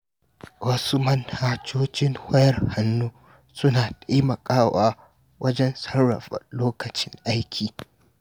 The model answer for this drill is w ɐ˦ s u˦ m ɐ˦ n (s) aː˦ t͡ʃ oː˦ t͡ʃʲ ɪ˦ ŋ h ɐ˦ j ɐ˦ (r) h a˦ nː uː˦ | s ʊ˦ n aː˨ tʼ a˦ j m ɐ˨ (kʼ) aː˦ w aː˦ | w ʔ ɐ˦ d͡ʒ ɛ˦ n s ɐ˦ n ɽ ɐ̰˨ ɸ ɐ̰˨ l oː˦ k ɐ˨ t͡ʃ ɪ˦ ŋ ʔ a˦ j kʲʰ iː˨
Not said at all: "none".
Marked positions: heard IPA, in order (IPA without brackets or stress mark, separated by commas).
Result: h, r, kʼ